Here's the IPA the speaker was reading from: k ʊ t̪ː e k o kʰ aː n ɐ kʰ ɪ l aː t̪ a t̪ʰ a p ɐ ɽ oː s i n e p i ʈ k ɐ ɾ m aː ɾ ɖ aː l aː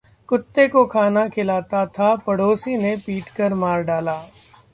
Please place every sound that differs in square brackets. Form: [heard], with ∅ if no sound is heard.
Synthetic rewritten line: k ʊ t̪ː e k o kʰ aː n [a] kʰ ɪ l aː t̪ a t̪ʰ a p ɐ ɽ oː s i n e p [iː] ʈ k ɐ ɾ m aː ɾ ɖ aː l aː